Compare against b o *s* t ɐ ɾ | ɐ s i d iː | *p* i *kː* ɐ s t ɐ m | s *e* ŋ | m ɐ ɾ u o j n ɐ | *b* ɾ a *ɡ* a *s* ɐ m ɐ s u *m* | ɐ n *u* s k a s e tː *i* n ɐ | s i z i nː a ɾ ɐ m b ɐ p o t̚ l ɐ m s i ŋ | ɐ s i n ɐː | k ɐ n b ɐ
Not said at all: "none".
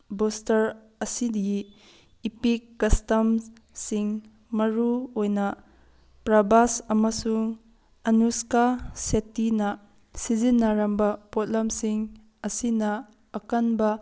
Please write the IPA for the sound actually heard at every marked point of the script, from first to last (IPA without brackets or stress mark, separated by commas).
s, p, kː, i, p, b, s, ŋ, u, i